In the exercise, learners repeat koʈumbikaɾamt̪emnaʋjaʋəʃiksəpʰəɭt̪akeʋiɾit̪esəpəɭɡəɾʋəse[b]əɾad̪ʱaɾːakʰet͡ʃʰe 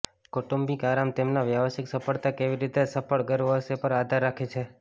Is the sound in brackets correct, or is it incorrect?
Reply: incorrect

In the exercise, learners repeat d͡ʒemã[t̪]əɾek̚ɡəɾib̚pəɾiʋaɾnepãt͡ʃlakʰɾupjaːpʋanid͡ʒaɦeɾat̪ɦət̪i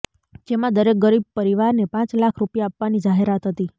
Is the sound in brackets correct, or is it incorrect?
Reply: incorrect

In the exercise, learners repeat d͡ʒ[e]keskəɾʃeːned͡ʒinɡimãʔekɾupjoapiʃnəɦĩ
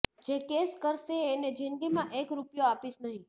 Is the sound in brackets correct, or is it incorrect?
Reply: correct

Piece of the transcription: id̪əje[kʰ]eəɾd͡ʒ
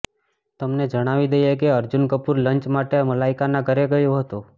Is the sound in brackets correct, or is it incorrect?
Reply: incorrect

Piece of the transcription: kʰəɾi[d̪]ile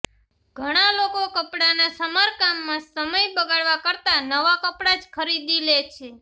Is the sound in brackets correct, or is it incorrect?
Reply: correct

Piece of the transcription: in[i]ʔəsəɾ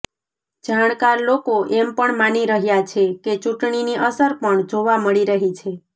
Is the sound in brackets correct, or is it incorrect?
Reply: correct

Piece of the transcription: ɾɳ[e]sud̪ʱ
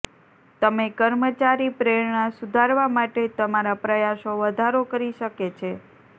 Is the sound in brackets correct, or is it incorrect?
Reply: incorrect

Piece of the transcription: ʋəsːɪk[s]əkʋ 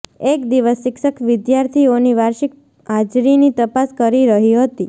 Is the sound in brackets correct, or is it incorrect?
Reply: incorrect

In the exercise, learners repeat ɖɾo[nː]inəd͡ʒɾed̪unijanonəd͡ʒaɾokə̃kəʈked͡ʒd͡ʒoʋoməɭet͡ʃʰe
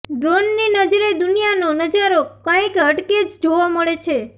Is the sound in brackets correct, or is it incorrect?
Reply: correct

